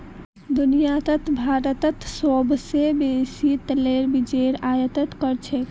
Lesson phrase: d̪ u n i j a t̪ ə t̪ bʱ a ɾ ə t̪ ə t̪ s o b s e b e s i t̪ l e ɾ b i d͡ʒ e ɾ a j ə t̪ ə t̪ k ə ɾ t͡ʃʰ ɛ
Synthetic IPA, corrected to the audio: d̪ u n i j a t̪ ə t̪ bʱ a ɾ ə t̪ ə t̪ s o b s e b e s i t̪ l e ɾ b i d͡ʒ e ɾ a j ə t̪ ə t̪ k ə ɾ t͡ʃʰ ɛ

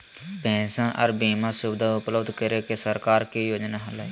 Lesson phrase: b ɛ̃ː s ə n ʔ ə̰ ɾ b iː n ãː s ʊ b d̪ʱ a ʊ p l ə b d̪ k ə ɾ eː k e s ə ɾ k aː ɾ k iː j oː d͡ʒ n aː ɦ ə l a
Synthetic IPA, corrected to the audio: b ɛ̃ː s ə n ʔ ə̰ ɾ b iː m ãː s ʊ b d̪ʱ a ʊ p l ə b d̪ k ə ɾ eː k e s ə ɾ k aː ɾ k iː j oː d͡ʒ n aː ɦ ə l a

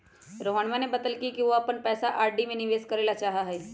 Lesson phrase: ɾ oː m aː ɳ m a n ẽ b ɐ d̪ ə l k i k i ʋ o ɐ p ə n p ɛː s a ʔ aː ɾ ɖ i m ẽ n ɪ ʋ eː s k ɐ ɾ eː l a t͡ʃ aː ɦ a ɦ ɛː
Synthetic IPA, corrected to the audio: ɾ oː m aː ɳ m a n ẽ b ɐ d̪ ə l k i k i ʋ o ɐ p ə n p ɛː s a ʔ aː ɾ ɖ i m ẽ n ɪ ʋ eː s k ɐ ɾ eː l a t͡ʃ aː ɦ a ɦ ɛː

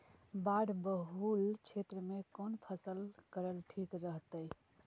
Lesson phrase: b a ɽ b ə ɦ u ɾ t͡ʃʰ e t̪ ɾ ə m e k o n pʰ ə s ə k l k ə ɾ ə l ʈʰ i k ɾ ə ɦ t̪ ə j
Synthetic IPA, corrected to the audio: b a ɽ b ə ɦ u l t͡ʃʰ e t̪ ɾ ə m e k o n pʰ ə s ə l k ə ɾ ə l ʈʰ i k ɾ ə ɦ t̪ ə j

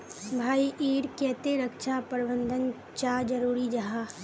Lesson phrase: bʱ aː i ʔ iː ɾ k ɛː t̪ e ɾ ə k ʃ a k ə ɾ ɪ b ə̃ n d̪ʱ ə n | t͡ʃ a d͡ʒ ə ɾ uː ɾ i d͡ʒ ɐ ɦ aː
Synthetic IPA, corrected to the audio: bʱ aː i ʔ iː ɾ k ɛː t̪ e ɾ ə k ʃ a p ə ɾ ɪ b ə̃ n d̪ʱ ə n | t͡ʃ a d͡ʒ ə ɾ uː ɾ i d͡ʒ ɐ ɦ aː

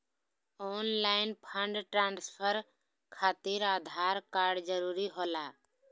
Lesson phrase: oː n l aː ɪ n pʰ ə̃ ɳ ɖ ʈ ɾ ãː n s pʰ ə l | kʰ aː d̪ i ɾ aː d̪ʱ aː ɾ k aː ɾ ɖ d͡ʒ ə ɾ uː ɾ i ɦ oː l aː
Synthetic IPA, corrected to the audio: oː n l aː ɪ n pʰ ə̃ ɳ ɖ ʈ ɾ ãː n s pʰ ə ɾ | kʰ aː t̪ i ɾ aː d̪ʱ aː ɾ k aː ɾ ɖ d͡ʒ ə ɾ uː ɾ i ɦ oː l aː

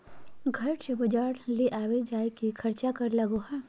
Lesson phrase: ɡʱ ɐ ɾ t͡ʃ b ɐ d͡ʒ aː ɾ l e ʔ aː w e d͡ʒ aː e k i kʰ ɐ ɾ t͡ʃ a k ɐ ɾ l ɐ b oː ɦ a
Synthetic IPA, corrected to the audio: ɡʱ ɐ ɾ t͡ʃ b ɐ d͡ʒ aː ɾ l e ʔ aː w e d͡ʒ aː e k i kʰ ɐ ɾ t͡ʃ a k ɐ ɾ l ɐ ɡ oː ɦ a

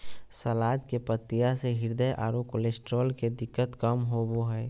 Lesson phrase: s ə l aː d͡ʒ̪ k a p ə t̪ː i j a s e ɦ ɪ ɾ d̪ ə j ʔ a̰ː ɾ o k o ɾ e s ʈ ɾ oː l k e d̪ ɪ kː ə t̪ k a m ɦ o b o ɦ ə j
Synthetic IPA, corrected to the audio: s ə l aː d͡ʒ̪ k e p ə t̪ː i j a s e ɦ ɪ ɾ d̪ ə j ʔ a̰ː ɾ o k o l e s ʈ ɾ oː l k e d̪ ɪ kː ə t̪ k ə m ɦ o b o ɦ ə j

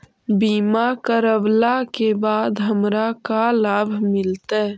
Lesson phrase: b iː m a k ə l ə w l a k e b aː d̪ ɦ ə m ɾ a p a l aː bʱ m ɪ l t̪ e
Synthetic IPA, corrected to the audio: b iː m a k ə ɾ ə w l a k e b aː d̪ ɦ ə m ɾ a k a l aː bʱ m ɪ l t̪ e

